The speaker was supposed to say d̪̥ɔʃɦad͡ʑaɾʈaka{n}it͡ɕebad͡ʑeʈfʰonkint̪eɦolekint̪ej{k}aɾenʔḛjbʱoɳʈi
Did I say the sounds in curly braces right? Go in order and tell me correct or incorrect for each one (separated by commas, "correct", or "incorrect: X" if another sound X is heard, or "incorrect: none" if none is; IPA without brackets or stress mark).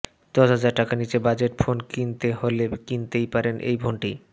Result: correct, incorrect: p